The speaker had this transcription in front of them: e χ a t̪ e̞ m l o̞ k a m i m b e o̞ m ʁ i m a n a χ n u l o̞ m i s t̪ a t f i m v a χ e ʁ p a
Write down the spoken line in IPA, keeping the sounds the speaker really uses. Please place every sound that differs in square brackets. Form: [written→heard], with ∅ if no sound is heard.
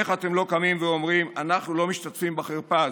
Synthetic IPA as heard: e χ a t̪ e̞ m l o̞ k a m i m [b→v] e o̞ m ʁ i m a n a χ n u l o̞ m i [s→ʃ] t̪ a t f i m [v→b] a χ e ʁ p a